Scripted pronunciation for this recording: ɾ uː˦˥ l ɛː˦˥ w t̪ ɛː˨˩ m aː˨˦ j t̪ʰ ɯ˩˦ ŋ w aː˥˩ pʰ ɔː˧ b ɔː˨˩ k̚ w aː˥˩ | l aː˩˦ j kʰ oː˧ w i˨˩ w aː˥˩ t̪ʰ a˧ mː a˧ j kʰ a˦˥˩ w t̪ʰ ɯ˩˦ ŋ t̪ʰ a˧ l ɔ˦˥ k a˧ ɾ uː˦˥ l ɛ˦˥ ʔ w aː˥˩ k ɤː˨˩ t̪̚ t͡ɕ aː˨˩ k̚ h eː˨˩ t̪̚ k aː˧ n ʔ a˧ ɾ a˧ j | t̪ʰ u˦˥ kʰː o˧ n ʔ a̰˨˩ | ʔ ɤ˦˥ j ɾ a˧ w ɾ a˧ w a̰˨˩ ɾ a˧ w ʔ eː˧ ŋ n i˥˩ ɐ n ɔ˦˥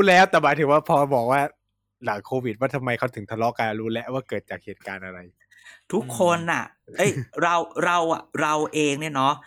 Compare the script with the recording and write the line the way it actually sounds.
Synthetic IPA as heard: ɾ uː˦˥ l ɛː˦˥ w t̪ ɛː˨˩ m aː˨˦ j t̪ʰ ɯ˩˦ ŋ w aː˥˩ pʰ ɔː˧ b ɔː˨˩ k̚ w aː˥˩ | l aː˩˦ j kʰ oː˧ w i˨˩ w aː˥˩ t̪ʰ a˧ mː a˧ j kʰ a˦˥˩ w t̪ʰ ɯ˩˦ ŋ t̪ʰ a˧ l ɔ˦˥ k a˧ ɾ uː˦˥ l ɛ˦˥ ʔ w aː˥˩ k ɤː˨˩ t̪̚ t͡ɕ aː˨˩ k̚ h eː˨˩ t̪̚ k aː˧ n ʔ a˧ ɾ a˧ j | t̪ʰ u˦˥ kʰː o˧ n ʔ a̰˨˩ | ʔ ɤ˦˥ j ɾ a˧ w ɾ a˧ w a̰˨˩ ɾ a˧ w ʔ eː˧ ŋ n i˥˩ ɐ n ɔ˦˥